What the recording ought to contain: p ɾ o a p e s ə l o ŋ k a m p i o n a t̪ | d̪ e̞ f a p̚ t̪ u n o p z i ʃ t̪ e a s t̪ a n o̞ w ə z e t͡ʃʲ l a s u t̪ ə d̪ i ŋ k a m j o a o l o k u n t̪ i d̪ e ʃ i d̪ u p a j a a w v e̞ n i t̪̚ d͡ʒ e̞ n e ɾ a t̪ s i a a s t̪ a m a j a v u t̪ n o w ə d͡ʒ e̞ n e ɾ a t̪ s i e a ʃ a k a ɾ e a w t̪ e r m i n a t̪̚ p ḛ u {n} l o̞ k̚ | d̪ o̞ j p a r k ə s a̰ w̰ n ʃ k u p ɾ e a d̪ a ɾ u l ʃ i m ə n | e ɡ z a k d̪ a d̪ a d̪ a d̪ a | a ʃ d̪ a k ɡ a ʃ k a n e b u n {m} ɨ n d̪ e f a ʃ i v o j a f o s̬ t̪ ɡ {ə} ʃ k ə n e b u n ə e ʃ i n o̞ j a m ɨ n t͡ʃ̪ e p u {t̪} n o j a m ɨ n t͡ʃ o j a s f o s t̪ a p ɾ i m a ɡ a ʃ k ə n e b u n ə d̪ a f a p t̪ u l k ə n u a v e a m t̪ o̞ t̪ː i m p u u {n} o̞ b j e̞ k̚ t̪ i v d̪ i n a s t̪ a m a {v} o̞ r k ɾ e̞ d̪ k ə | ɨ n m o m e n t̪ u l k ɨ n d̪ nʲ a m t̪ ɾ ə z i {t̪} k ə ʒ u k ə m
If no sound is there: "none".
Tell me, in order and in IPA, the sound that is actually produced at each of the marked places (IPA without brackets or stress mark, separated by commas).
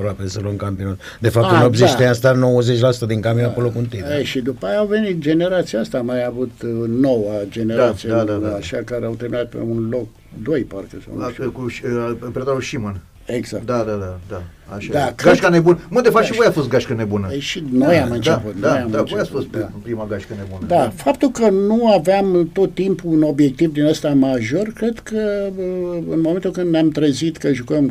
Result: n, m, a, t̪, n, ʒ, t̪